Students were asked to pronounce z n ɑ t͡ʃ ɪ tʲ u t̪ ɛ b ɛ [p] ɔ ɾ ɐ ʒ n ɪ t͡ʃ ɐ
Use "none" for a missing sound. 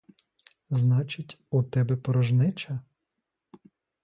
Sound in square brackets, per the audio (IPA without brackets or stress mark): p